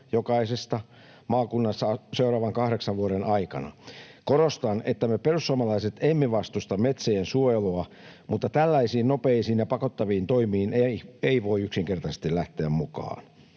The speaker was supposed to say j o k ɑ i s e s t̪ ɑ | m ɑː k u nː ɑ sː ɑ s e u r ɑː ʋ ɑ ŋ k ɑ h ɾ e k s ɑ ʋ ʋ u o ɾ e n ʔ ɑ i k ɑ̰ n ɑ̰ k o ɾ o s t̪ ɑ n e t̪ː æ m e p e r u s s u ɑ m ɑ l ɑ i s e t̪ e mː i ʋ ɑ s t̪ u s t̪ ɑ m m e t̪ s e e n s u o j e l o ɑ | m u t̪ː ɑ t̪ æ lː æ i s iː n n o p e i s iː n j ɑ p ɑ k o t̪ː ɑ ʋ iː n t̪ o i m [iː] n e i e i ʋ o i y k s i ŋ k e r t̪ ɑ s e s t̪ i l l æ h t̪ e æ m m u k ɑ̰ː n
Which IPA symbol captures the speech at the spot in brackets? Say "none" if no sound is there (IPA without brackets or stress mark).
iː